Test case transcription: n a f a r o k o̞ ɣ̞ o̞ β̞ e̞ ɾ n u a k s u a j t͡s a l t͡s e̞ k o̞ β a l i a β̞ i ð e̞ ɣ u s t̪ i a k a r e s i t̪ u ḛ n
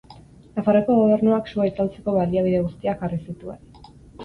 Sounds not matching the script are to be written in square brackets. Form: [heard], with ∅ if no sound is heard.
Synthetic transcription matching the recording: n a f a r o k o̞ ɣ̞ o̞ β̞ e̞ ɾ n u a k s u a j t͡s a l t͡s e̞ k o̞ β a l i a β̞ i ð e̞ ɣ u s t̪ i a k a r [i] s i t̪ u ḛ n